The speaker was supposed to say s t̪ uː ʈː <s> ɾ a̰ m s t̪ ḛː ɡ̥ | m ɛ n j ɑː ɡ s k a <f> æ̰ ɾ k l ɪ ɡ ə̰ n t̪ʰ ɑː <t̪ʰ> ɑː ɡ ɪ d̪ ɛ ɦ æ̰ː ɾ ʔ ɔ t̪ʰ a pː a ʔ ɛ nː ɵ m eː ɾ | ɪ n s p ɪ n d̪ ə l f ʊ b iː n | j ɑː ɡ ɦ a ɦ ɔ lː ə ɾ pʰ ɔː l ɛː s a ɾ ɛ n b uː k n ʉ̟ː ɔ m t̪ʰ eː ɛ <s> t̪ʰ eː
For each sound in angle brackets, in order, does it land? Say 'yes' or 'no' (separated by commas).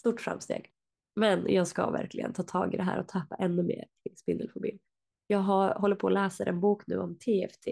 no, no, yes, no